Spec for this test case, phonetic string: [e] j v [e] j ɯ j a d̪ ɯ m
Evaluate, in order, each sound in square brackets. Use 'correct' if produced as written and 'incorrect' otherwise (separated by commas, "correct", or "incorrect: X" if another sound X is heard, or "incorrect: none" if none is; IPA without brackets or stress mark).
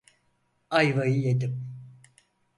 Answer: incorrect: a, incorrect: a